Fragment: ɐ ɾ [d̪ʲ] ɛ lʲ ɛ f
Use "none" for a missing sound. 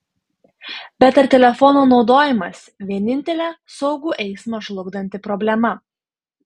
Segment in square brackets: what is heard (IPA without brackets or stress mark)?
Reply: t̪ʲ